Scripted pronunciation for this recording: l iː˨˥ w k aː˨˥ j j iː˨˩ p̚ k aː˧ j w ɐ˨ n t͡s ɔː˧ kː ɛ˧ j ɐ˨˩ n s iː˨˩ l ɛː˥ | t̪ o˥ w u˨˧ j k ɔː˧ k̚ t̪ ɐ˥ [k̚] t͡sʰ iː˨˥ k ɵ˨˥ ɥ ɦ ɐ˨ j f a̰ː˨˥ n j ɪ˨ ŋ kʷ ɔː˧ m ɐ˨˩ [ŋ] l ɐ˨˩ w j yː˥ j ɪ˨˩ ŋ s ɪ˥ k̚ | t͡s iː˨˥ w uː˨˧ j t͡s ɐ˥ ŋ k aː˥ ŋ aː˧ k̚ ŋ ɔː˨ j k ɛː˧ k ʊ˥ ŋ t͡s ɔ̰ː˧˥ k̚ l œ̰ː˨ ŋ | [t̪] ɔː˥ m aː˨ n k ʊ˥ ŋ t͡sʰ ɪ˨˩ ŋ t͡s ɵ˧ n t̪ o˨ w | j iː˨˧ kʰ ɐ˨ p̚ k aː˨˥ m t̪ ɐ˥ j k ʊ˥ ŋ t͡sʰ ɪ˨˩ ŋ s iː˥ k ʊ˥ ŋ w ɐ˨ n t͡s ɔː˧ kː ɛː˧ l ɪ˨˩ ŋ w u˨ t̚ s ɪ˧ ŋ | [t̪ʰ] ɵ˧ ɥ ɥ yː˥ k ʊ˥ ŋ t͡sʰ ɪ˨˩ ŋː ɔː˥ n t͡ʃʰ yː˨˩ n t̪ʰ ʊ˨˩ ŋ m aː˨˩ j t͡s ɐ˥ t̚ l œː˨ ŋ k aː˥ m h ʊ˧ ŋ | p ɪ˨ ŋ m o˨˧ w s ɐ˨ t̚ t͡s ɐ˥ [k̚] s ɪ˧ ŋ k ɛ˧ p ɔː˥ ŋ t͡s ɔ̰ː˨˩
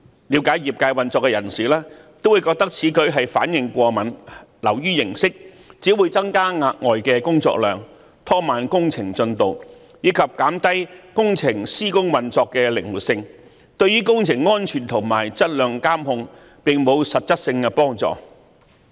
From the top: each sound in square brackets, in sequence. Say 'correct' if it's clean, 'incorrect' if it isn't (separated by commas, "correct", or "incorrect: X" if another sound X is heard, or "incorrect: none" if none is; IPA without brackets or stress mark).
correct, incorrect: n, incorrect: t̪ʰ, incorrect: t̪, incorrect: t̚